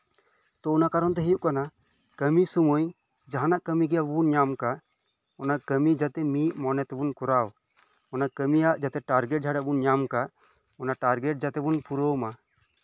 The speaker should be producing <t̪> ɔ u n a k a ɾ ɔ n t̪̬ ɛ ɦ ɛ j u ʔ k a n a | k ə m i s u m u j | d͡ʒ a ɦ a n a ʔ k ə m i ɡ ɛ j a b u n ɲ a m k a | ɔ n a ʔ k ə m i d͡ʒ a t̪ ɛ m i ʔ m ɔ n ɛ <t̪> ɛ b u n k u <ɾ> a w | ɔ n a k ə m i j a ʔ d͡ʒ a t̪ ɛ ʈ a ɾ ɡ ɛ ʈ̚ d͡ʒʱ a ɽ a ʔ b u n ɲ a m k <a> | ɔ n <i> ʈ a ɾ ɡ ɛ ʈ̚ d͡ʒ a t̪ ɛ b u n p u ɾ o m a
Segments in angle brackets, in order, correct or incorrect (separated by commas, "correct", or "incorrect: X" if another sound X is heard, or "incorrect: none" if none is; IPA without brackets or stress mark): correct, correct, correct, correct, incorrect: a